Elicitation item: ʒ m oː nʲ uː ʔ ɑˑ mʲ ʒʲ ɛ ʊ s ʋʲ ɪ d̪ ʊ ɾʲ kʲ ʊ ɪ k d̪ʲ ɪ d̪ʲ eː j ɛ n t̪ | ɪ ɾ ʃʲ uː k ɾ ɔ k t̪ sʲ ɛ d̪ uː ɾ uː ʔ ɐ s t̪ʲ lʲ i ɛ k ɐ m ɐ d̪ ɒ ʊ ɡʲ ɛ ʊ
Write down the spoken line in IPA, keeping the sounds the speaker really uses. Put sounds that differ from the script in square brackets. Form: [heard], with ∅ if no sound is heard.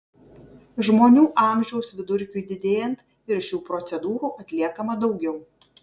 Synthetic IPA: ʒ m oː nʲ uː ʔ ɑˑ mʲ ʒʲ ɛ ʊ s ʋʲ ɪ d̪ ʊ ɾʲ kʲ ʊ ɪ [∅] d̪ʲ ɪ d̪ʲ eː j ɛ n t̪ | ɪ ɾ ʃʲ uː [p] ɾ ɔ [∅] t̪ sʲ ɛ d̪ uː ɾ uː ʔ ɐ [∅] t̪ʲ lʲ i ɛ k ɐ m ɐ d̪ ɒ ʊ ɡʲ ɛ ʊ